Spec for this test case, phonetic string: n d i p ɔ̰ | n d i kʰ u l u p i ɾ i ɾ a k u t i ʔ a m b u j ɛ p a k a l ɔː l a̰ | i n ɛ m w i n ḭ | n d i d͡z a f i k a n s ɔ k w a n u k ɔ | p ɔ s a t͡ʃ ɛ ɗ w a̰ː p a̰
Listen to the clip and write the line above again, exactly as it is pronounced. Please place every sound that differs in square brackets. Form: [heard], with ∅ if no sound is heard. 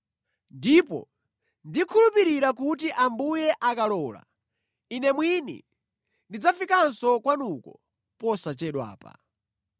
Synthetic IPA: n d i p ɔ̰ | n d i kʰ u l u p i ɾ i ɾ a k u t i ʔ a m b u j ɛ [ʔ] a k a l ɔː l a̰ | i n ɛ m w i n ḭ | n d i d͡z a f i k a n s ɔ k w a n u k ɔ | p ɔ s a t͡ʃ ɛ ɗ w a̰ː p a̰